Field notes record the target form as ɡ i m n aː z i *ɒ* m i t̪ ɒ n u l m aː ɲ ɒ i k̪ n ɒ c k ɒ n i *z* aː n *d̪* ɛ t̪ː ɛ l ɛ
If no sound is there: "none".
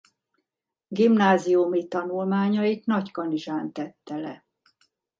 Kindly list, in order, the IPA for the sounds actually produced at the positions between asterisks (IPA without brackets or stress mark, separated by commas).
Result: u, ʒ, t̪